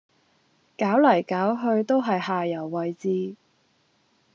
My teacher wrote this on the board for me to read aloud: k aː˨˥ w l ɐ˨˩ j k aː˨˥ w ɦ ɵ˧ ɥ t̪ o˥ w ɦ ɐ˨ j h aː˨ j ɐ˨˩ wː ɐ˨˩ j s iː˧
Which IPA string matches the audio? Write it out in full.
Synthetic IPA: k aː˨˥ w l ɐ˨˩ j k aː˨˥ w ɦ ɵ˧ ɥ t̪ o˥ w ɦ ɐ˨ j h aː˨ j ɐ˨˩ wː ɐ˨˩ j t͡s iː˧